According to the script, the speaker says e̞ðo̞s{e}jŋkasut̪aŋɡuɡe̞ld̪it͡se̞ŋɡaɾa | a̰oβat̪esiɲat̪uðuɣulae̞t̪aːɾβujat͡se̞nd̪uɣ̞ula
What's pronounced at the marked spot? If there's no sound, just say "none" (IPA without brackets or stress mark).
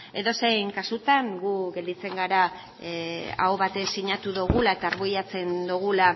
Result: e